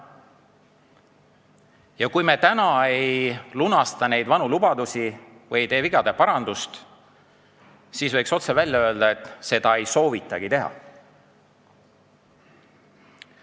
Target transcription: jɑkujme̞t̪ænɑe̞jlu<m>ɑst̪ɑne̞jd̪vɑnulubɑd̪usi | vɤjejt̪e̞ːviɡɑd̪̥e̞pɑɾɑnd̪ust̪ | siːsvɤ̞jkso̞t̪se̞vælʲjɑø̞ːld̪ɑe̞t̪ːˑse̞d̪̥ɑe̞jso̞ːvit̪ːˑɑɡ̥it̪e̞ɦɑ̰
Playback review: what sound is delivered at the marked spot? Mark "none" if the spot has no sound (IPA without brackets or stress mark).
n